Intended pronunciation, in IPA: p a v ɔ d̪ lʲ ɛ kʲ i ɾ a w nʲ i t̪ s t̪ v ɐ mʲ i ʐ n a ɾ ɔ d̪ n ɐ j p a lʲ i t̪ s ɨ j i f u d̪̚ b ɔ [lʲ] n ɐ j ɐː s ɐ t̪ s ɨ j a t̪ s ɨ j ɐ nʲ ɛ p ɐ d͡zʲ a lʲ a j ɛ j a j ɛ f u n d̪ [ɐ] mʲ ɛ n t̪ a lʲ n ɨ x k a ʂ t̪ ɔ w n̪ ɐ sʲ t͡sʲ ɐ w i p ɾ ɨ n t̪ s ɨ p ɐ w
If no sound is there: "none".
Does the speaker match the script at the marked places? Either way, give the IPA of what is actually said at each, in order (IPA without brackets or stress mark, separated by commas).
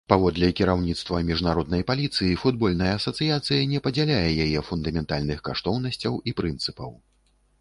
lʲ, ɐ